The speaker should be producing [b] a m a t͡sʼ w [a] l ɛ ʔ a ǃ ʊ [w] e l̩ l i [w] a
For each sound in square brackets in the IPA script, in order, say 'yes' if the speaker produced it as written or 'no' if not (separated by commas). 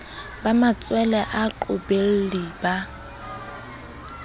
yes, no, no, no